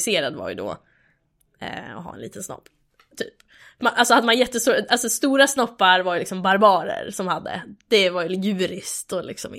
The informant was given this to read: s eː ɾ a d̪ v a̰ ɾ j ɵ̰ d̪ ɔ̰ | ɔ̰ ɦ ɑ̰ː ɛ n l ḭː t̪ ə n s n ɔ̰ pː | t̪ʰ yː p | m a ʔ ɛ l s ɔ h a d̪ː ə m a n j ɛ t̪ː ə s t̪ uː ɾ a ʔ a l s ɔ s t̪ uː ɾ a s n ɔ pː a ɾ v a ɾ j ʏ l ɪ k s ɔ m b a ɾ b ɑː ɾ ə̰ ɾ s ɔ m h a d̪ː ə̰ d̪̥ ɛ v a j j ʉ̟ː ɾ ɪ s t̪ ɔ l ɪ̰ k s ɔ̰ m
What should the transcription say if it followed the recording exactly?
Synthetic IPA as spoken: s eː ɾ a d̪ v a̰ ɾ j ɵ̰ d̪ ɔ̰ | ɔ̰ ɦ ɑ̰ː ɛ n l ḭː t̪ ə n s n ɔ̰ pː | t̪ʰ yː p | m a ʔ a l s ɔ h a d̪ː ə m a n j ɛ t̪ː ə s t̪ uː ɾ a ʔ a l s ɔ s t̪ uː ɾ a s n ɔ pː a ɾ v a ɾ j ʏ l ɪ k s ɔ m b a ɾ b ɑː ɾ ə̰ ɾ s ɔ m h a d̪ː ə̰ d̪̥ ɛ v a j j ʉ̟ː ɾ ɪ s t̪ ɔ l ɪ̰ k s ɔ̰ m